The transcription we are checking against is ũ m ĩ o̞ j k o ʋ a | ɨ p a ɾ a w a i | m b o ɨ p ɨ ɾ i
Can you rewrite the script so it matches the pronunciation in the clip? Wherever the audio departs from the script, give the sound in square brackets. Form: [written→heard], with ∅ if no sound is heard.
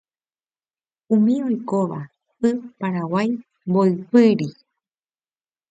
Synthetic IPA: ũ m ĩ o̞ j k o ʋ a | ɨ p a ɾ a w a [i→j] | m b o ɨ p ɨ ɾ i